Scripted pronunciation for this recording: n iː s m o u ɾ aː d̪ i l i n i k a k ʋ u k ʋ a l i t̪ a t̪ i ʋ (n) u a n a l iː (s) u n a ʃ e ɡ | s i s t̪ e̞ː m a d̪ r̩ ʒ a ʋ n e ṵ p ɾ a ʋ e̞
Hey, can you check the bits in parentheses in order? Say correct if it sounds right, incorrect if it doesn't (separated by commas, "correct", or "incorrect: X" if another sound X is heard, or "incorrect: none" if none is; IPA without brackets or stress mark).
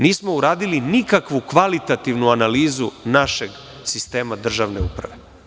correct, incorrect: z